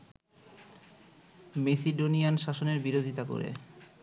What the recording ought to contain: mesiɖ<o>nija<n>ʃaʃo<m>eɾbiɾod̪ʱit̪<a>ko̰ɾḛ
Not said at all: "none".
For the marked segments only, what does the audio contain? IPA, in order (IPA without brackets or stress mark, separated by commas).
o, n, n, a